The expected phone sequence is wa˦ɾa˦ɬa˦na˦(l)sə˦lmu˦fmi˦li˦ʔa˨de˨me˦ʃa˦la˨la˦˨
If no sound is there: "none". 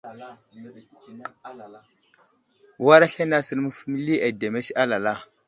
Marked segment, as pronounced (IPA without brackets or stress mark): none